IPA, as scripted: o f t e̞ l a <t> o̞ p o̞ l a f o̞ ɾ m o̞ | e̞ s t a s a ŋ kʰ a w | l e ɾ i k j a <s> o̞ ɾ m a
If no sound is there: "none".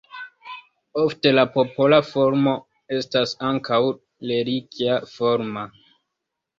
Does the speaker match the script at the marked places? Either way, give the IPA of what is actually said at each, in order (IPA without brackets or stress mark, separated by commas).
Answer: p, f